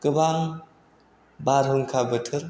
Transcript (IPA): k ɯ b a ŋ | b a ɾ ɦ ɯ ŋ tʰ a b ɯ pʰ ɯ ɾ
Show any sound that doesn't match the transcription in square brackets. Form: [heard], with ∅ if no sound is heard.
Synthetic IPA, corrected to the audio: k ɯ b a ŋ | b a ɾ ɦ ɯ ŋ [kʰ] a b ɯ [tʰ] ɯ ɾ